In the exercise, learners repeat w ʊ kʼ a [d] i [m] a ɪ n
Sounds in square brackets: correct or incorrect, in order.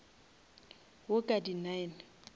correct, incorrect: n

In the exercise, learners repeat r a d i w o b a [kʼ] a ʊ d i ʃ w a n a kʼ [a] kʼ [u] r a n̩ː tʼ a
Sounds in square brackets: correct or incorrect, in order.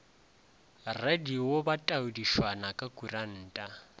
incorrect: tʼ, correct, correct

